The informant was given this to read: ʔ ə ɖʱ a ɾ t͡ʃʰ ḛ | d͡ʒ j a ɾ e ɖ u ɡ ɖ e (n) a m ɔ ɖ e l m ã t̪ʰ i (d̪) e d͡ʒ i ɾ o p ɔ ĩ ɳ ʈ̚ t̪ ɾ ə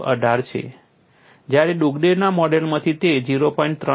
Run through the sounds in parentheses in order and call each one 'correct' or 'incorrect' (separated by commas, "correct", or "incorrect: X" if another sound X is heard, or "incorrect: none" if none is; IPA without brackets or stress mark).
correct, incorrect: t̪